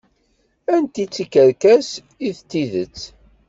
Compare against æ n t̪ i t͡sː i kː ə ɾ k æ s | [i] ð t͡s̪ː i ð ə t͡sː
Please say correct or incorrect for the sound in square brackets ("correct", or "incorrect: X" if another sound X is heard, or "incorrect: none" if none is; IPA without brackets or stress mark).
correct